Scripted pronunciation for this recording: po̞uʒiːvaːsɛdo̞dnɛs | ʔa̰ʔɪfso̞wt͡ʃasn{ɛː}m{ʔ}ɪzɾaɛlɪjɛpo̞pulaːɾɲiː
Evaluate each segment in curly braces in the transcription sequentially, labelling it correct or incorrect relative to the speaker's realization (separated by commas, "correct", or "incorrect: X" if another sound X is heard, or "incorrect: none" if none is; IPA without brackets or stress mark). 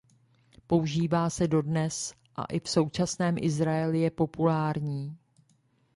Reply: correct, correct